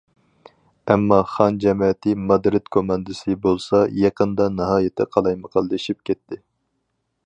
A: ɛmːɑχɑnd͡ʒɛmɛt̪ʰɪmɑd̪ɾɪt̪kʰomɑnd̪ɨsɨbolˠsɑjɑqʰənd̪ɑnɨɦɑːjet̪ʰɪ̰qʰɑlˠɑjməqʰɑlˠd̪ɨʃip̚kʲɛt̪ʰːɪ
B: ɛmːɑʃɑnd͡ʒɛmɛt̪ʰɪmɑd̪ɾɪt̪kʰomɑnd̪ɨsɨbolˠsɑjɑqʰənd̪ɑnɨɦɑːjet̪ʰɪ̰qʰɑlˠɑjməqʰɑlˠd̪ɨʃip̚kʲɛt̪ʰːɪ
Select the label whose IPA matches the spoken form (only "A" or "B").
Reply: A